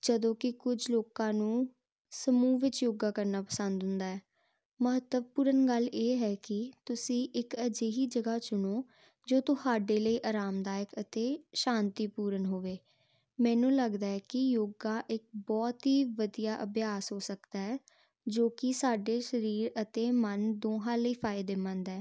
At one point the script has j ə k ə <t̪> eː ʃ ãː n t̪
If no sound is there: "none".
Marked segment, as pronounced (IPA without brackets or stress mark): t̪